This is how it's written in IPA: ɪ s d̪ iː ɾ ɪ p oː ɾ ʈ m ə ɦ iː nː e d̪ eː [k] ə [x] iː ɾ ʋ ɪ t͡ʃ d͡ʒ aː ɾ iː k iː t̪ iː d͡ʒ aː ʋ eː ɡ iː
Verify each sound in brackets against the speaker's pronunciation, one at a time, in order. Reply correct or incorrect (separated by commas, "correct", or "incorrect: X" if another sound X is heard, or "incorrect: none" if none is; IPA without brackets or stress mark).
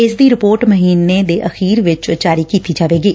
incorrect: ʔ, correct